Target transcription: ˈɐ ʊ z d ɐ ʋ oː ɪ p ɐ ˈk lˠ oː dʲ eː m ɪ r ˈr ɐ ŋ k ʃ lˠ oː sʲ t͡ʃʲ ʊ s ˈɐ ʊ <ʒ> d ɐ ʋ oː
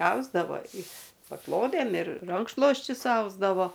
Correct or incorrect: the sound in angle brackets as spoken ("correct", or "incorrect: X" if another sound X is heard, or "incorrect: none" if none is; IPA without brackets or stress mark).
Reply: incorrect: z